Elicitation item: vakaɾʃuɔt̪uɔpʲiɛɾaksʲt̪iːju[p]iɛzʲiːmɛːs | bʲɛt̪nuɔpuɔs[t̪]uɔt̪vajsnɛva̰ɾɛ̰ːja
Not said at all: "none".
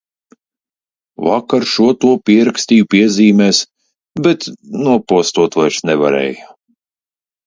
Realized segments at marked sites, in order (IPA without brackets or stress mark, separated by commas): p, t̪